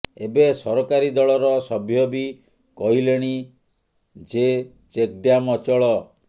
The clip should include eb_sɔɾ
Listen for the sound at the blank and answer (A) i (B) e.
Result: B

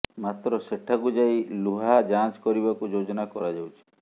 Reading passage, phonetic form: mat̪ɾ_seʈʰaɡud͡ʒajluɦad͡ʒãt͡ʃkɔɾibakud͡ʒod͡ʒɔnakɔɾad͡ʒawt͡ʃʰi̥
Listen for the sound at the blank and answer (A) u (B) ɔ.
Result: B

